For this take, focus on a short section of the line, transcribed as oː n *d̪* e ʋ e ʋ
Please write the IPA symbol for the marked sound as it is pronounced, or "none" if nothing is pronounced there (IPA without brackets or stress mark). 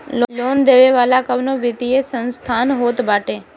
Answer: d̪